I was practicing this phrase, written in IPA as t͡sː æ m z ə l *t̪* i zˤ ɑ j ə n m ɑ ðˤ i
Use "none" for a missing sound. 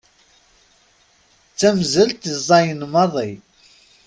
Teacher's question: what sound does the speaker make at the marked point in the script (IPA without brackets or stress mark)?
t̪